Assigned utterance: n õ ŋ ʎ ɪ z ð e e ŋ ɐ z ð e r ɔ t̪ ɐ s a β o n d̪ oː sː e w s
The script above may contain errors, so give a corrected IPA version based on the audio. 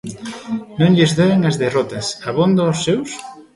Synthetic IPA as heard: n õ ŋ ʎ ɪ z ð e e ŋ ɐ z ð e r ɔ t̪ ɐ s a β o n d̪ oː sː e w s